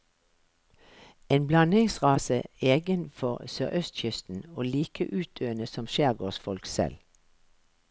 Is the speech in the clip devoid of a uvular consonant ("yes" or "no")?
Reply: no